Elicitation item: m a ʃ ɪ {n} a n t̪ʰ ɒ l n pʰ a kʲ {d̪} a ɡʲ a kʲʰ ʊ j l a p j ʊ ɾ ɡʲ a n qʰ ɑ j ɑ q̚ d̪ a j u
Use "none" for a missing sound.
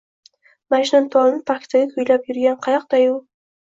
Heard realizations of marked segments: n, t̪

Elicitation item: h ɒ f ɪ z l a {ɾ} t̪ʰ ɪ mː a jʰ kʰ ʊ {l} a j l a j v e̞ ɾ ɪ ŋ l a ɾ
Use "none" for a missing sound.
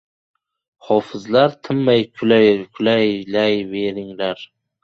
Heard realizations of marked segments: ɾ, l

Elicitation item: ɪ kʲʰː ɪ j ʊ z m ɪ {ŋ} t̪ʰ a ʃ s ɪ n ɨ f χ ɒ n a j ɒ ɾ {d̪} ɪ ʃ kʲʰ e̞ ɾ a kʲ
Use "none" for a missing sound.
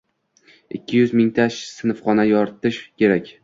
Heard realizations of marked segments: ŋ, t̪

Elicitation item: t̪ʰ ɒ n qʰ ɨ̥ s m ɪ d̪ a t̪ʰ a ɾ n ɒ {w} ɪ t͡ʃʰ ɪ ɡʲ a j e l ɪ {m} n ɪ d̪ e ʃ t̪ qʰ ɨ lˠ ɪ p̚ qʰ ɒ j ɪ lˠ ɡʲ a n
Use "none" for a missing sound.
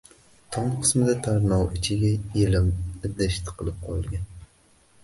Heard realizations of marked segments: w, m

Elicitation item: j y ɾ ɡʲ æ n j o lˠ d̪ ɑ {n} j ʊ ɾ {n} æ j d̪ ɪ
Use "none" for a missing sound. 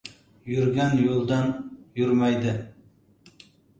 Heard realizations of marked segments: n, m

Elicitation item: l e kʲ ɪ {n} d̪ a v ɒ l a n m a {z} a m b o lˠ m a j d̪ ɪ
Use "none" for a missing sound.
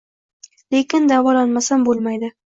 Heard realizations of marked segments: n, s

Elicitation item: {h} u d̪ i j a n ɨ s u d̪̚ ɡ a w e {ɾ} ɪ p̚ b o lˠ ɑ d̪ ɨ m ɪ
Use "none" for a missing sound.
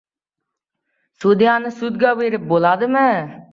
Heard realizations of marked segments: s, ɾ

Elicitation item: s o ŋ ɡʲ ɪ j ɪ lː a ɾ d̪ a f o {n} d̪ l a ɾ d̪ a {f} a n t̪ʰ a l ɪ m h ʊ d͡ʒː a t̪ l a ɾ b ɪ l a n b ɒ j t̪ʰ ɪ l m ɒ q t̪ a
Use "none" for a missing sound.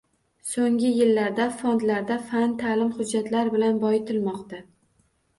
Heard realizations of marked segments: n, f

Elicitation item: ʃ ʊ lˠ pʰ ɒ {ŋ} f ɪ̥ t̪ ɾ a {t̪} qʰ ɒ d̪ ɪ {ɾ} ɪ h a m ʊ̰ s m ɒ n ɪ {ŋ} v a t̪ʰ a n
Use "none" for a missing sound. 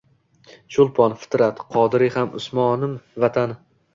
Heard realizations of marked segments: n, t̪, ɾ, m

